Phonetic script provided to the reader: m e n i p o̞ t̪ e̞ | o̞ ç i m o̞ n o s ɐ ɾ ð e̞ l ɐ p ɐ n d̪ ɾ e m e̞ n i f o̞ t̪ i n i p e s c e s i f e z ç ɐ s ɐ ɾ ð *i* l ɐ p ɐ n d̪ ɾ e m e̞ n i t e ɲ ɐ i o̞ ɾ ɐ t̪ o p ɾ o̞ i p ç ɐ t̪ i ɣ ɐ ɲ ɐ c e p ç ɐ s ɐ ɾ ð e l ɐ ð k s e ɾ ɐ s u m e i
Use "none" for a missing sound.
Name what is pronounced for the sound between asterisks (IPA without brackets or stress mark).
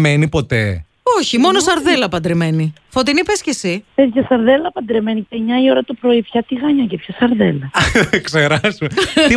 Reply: e